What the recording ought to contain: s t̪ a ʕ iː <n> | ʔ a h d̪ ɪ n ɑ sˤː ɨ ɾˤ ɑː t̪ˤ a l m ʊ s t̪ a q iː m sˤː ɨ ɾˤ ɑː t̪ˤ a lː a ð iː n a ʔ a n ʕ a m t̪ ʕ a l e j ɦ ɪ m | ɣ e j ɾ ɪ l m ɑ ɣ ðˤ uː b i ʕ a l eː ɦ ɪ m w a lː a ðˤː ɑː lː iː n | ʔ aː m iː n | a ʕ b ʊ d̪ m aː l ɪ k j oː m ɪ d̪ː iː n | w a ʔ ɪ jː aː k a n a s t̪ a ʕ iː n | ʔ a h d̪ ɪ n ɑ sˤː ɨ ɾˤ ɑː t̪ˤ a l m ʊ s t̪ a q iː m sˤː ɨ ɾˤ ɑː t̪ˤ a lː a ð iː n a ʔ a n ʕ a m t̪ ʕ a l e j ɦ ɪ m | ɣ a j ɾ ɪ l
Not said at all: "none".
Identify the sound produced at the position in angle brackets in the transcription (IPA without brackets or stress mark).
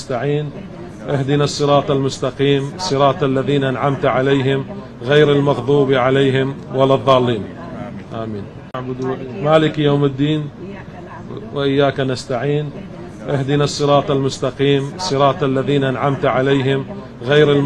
n